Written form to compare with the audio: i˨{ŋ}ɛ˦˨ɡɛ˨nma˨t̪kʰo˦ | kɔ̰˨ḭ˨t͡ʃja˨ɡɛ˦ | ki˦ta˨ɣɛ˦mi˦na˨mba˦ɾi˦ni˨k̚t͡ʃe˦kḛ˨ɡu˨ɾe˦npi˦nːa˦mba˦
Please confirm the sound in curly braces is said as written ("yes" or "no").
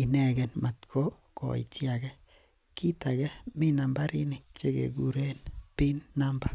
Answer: no